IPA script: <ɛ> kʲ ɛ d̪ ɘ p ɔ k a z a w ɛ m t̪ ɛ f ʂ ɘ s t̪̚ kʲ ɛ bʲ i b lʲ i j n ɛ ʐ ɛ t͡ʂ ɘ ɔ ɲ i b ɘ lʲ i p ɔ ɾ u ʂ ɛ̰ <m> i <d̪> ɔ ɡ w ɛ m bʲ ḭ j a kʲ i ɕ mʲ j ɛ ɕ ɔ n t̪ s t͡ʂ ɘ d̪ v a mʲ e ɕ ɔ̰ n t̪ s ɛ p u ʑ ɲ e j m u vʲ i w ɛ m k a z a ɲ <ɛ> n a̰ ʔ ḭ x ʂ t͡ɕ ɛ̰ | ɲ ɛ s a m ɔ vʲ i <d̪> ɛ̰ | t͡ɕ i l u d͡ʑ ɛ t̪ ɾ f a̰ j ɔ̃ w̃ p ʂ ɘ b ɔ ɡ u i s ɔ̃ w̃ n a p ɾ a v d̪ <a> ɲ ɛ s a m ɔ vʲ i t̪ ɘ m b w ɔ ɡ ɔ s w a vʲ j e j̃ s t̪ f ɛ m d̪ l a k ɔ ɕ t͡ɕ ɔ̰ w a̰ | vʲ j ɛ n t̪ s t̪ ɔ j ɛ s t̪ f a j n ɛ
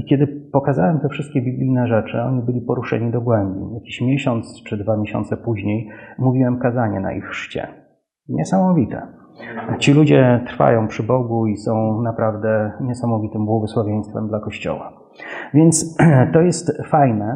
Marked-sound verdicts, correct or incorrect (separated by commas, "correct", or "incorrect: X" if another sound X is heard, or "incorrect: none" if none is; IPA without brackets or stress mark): incorrect: i, incorrect: ɲ, correct, correct, incorrect: t̪, incorrect: ɛ